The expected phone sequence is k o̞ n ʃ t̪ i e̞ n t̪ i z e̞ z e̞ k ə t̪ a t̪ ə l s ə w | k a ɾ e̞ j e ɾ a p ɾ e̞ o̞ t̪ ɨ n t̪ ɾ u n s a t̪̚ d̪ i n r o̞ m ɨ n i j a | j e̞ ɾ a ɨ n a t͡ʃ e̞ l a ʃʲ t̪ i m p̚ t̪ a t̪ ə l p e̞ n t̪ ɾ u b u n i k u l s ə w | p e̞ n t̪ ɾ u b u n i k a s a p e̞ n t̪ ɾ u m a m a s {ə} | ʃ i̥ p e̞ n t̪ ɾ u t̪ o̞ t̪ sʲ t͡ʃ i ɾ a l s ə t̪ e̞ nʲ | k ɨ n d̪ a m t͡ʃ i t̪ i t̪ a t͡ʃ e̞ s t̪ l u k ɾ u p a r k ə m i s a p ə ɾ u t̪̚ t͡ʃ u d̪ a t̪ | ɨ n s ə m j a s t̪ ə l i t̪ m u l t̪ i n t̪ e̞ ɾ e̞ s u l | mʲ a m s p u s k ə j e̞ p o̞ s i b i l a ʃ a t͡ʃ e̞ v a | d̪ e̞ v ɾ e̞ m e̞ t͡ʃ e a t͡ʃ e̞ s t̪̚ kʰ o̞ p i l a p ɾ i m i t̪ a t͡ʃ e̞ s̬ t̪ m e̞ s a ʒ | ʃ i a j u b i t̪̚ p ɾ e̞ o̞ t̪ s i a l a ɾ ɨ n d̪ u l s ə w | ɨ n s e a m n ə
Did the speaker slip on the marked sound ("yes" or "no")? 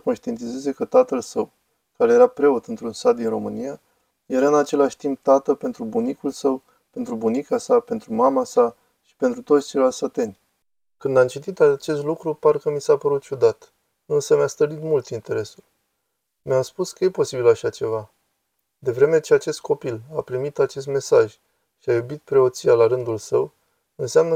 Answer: yes